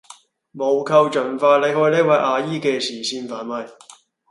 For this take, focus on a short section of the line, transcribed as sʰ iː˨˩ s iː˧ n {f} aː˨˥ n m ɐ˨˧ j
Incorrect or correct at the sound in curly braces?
correct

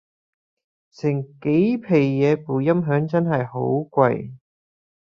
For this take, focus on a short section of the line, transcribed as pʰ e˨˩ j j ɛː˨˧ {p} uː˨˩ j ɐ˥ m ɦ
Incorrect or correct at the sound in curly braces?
correct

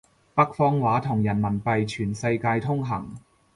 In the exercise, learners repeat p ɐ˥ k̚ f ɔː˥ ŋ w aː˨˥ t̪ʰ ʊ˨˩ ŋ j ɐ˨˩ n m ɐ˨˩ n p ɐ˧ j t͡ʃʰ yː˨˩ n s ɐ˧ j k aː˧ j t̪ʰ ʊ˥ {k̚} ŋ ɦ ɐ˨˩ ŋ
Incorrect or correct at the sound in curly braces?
incorrect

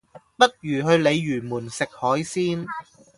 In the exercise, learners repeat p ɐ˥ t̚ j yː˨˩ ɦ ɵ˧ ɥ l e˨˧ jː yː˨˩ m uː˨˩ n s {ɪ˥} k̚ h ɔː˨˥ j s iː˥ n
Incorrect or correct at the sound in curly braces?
incorrect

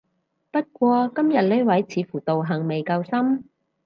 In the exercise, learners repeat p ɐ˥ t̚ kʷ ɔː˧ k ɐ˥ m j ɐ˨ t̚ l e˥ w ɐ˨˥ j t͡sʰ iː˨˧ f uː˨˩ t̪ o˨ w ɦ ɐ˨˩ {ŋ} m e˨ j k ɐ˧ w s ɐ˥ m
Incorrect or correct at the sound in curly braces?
correct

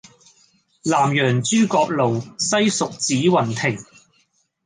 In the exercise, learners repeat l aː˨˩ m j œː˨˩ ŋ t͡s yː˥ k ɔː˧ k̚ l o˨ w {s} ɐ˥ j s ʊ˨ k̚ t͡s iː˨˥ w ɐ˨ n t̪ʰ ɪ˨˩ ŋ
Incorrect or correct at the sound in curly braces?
correct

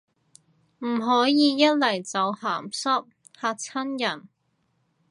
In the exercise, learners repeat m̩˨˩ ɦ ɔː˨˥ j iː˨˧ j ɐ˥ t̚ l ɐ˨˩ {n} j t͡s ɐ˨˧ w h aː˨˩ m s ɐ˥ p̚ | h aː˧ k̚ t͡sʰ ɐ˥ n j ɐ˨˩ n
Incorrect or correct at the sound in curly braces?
incorrect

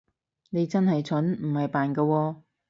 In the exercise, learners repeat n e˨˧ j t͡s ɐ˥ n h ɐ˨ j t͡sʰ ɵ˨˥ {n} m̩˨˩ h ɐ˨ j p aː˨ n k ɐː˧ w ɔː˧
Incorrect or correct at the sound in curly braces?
correct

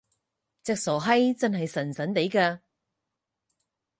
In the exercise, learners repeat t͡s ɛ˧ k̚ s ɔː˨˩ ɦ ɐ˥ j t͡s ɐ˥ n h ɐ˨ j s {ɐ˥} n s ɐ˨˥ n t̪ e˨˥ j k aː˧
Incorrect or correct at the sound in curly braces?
incorrect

